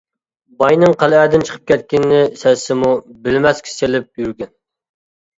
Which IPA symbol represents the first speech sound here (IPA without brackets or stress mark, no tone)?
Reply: b